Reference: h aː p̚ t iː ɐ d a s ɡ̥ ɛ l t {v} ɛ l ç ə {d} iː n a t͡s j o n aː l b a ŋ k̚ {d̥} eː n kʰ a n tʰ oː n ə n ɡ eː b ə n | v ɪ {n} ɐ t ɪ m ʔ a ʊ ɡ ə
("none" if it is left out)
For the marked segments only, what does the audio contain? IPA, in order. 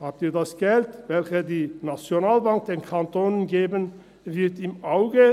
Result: v, d, d̥, none

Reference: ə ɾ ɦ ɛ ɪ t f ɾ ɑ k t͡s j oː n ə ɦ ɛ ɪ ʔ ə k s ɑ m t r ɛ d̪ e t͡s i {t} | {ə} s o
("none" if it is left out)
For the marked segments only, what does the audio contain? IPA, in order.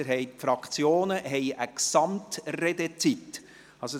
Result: t, ɑ

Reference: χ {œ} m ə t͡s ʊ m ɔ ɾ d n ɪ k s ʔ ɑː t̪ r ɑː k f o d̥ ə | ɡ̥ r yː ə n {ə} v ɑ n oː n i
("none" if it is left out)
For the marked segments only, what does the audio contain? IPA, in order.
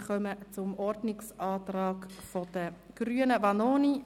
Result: œ, ə

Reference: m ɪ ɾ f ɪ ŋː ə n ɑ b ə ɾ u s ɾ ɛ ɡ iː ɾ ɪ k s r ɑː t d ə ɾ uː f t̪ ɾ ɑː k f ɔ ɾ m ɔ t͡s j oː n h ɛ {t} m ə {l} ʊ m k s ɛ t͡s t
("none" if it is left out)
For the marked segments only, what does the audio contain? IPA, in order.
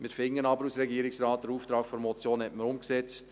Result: t, ɾ

